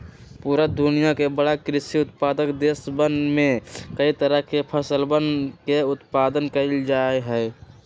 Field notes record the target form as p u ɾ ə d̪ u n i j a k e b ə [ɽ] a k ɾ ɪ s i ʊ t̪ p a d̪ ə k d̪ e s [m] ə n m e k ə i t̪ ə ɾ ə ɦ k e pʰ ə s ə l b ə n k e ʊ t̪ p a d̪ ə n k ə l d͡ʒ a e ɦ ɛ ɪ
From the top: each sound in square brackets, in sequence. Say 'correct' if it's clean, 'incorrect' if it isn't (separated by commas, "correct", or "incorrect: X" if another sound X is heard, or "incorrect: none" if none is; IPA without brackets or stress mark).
correct, incorrect: b